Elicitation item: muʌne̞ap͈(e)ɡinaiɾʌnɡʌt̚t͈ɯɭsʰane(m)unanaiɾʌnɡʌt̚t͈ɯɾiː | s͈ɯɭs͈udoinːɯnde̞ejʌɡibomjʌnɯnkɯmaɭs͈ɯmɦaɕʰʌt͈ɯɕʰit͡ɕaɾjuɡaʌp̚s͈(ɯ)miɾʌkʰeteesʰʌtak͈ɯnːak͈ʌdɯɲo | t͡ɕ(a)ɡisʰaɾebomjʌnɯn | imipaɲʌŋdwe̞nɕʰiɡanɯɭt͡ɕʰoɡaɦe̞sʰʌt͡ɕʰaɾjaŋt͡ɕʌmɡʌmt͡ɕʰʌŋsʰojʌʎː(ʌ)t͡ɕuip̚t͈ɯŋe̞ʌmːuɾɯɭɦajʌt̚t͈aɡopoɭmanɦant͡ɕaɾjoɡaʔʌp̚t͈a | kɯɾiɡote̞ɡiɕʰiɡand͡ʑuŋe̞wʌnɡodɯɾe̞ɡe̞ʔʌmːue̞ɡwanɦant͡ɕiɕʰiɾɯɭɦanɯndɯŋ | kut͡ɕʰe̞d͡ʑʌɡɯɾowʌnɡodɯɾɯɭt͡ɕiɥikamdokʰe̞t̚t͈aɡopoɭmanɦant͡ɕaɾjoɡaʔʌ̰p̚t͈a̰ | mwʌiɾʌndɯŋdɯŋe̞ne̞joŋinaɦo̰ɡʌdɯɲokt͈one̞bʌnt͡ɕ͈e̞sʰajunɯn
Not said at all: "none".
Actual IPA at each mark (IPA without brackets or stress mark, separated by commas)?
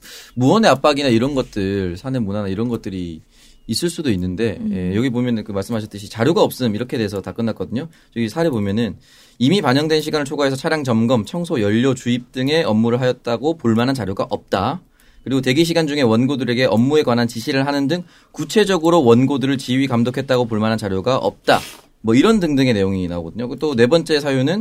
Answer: a, m, ɯ, ʌ, ʌ